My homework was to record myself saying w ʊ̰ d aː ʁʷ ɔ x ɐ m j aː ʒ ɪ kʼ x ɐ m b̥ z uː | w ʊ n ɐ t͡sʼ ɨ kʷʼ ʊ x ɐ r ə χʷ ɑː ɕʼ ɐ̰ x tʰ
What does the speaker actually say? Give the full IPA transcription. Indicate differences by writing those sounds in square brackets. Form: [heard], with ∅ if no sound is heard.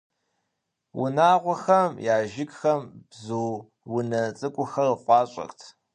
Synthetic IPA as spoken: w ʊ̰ [n] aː ʁʷ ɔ x ɐ m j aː ʒ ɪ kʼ x ɐ m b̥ z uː | w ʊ n ɐ t͡sʼ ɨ kʷʼ ʊ x ɐ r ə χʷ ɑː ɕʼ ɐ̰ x tʰ